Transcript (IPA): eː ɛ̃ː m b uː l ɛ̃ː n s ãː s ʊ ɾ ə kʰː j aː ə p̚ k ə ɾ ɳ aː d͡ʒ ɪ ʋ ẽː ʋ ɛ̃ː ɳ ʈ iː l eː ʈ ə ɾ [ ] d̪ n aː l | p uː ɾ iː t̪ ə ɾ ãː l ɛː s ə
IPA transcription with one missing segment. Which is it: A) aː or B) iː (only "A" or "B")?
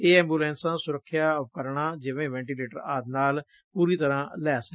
A